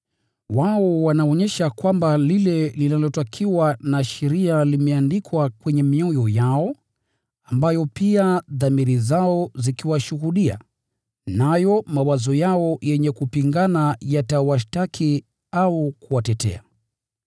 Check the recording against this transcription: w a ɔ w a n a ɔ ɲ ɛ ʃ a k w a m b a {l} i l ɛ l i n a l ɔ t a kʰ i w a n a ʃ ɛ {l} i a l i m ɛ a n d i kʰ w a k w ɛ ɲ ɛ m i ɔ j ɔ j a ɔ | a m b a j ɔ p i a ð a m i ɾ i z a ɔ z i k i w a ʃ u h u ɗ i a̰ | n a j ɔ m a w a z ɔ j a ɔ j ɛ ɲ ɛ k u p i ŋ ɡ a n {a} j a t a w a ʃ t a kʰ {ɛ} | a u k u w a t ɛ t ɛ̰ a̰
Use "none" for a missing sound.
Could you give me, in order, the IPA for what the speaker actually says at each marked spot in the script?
l, ɾ, a, i

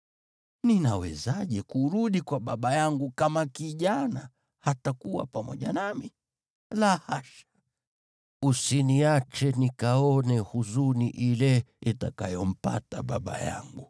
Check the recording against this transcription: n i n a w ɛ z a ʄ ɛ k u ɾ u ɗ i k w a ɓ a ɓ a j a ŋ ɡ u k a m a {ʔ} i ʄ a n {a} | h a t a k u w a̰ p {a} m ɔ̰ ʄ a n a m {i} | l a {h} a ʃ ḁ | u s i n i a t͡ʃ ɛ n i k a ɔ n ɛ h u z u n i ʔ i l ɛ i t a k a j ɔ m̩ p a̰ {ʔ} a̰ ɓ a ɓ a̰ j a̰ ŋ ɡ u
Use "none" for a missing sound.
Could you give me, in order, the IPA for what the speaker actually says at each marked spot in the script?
k, a, a, i, h, t

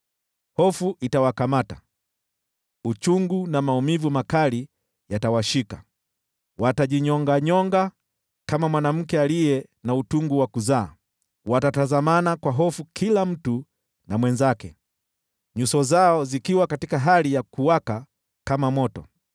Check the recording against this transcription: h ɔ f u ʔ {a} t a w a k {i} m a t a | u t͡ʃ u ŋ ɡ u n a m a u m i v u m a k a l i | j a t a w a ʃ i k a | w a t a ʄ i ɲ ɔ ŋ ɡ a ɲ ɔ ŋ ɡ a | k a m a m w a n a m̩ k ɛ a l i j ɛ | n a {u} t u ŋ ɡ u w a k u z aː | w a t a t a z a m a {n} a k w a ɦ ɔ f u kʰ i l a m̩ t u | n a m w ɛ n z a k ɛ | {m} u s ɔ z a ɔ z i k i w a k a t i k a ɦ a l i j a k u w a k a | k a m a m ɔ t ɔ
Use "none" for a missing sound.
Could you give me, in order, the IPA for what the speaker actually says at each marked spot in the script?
i, a, u, n, ɲ

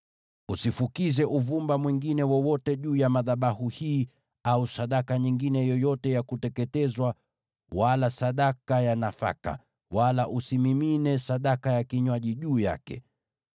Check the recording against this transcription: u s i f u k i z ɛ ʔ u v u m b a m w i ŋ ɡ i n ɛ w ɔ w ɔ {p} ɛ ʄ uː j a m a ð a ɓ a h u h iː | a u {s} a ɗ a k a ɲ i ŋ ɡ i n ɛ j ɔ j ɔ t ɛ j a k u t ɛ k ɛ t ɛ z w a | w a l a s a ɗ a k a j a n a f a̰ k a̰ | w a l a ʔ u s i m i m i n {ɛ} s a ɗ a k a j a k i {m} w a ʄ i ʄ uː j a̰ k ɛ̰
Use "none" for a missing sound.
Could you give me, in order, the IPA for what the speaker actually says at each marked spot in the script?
t, s, ɛ, ɲ

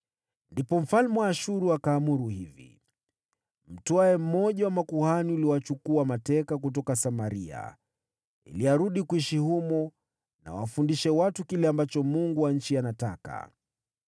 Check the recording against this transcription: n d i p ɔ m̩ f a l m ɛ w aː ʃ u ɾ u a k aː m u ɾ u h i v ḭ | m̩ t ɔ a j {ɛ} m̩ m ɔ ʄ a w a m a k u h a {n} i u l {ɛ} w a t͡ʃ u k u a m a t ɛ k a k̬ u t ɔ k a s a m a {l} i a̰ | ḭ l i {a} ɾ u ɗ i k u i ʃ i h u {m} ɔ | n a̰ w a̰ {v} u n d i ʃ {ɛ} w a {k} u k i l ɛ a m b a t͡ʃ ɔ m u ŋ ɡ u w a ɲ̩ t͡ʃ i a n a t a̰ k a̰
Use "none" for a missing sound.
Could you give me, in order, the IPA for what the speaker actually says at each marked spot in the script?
ɛ, n, i, ɾ, a, m, f, ɛ, t

